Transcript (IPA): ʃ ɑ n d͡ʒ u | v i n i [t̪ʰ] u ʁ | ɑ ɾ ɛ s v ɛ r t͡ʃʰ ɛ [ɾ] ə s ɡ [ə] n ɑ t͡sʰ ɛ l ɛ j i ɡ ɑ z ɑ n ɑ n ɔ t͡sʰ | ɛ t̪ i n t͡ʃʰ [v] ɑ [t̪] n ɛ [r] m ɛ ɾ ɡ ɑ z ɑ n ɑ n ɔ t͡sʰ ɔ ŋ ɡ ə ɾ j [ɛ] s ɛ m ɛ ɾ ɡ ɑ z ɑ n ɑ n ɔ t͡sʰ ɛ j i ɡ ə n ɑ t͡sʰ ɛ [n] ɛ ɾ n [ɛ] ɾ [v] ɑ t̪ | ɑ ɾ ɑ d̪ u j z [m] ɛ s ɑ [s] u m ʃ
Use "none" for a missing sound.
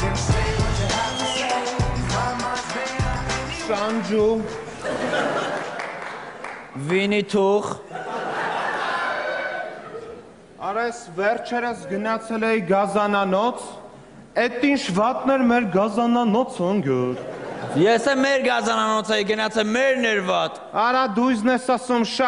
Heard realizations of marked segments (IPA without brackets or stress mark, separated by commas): t̪ʰ, ɾ, ə, v, t̪, ɾ, ɛ, m, ɛ, v, n, s